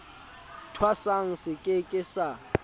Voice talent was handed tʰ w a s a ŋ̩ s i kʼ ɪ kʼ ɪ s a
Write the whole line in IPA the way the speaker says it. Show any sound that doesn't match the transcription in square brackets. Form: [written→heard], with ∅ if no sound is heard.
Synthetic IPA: tʰ w a s a ŋ̩ s [i→ɪ] kʼ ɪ kʼ ɪ s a